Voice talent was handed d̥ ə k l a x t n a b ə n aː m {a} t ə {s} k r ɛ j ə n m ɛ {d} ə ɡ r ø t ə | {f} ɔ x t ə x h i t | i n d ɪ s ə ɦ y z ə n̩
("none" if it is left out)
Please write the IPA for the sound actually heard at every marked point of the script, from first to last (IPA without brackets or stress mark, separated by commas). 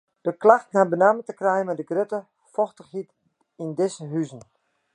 ə, none, d, f